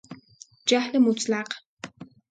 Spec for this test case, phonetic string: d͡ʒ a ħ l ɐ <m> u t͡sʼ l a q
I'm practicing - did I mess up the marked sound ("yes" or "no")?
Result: no